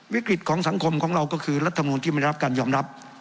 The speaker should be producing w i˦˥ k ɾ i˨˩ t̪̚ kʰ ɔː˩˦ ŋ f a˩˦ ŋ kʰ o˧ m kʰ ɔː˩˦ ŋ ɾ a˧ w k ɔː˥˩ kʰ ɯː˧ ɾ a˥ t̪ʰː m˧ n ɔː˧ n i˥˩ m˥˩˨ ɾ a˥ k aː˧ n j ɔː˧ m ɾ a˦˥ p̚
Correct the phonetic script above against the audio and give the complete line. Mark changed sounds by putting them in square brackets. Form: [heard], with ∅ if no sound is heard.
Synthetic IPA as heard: w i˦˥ k ɾ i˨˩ t̪̚ kʰ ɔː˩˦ ŋ [s] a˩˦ ŋ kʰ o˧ m kʰ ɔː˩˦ ŋ ɾ a˧ w k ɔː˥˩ kʰ ɯː˧ ɾ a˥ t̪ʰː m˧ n [uː˧] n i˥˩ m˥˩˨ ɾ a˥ k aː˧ n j ɔː˧ m ɾ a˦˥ p̚